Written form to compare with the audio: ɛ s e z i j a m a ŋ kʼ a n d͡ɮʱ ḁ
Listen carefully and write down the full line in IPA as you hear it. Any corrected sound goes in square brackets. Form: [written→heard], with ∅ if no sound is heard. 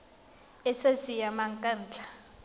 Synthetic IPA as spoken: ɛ s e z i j a m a ŋ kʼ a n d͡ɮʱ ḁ